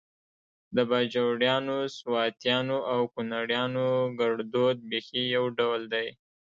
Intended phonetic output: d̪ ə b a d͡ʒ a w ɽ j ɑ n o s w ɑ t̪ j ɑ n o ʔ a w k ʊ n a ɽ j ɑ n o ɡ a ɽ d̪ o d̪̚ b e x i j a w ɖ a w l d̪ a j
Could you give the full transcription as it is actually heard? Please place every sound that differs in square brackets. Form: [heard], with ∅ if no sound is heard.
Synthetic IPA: d̪ ə b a d͡ʒ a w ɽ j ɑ n o s w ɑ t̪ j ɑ n o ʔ a w k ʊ n a ɽ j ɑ n o ɡ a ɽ d̪ o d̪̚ b e x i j a w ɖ a w l d̪ a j